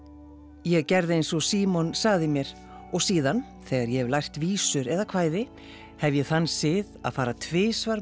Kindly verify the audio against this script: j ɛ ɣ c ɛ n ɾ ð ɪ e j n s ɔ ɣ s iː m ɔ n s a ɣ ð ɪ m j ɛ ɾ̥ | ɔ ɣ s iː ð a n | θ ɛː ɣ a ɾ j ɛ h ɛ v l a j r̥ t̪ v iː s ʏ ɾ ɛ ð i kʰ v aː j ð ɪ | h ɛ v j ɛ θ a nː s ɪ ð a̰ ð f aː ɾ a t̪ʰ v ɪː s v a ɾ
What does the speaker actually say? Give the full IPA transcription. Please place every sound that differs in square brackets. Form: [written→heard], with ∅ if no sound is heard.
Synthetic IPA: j ɛ ɣ c ɛ [n→∅] ɾ ð ɪ e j n s ɔ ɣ s iː m ɔ n s a ɣ ð ɪ m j ɛ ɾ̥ | ɔ ɣ s iː ð a n | θ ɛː ɣ a ɾ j ɛ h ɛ v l a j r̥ t̪ v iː s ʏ ɾ ɛ ð [i→a] kʰ v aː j ð ɪ | h ɛ v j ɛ θ a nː s ɪ ð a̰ ð f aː ɾ a t̪ʰ v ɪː s v a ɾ